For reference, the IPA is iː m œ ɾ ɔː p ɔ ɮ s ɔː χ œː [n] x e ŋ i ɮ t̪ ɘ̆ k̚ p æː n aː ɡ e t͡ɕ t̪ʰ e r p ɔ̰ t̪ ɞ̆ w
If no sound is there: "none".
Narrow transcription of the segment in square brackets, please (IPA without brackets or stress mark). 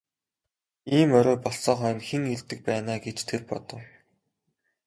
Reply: n